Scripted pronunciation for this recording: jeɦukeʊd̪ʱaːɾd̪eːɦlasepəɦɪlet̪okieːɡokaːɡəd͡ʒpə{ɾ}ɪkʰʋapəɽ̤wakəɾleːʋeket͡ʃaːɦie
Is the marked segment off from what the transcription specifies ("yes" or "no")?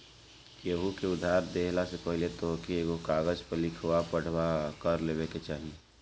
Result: yes